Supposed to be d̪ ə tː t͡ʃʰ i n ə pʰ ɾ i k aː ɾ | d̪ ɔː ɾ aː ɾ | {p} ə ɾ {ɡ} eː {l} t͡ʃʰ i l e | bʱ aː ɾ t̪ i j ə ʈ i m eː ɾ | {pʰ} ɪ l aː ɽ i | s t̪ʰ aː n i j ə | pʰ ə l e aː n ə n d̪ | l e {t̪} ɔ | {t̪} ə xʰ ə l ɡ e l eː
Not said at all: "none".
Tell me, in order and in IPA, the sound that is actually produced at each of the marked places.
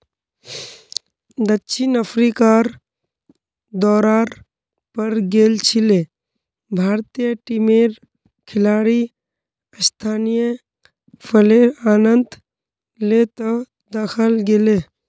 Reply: p, ɡ, l, kʰ, t̪, d̪

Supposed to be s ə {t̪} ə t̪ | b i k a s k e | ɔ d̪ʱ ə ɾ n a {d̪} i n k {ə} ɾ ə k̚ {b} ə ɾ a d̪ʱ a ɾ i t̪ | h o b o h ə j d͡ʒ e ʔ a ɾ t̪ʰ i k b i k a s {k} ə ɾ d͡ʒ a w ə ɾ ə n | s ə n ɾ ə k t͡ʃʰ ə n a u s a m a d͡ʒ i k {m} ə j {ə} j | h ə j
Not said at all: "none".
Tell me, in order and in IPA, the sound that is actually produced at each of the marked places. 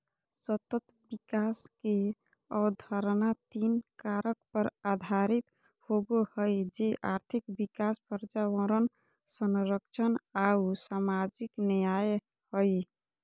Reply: t̪, t̪, a, p, p, n, a

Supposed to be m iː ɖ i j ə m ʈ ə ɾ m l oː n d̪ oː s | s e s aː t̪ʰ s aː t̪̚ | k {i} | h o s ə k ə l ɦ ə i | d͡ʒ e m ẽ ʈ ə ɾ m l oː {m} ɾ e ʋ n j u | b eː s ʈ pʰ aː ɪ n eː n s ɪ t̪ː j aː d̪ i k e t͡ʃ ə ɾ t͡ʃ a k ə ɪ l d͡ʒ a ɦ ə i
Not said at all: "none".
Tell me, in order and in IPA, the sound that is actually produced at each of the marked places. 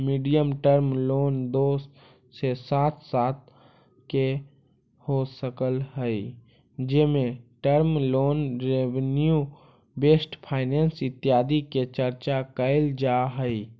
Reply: e, n

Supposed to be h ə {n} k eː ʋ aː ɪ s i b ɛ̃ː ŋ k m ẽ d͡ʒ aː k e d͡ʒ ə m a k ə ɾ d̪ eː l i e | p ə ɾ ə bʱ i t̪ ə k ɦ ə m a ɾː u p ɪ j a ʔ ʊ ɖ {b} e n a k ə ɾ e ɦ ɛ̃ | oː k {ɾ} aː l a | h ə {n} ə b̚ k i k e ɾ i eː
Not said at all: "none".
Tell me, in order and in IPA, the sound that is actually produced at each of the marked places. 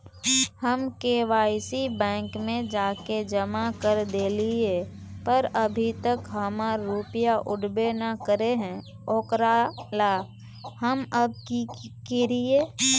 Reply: m, b, ɾ, m

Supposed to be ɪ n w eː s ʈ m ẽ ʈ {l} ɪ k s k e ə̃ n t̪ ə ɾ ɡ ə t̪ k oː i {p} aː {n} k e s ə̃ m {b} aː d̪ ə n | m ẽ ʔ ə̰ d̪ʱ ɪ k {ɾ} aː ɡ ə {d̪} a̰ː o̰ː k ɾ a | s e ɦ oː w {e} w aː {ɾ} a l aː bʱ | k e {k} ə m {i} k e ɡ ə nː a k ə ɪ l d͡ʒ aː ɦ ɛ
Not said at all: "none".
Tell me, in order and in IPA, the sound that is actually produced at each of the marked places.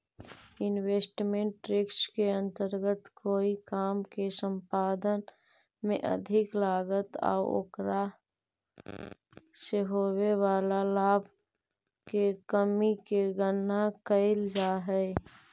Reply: ɾ, k, m, p, l, t̪, e, l, k, i

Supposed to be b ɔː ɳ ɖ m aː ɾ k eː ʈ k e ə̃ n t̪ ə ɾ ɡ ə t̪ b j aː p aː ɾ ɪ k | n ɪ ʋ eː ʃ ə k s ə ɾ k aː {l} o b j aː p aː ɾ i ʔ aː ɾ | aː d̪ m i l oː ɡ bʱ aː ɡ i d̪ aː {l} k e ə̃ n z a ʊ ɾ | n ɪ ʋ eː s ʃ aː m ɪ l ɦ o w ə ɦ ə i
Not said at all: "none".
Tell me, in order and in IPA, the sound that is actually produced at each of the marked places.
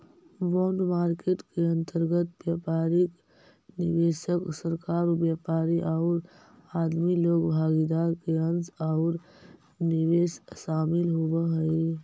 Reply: ɾ, ɾ

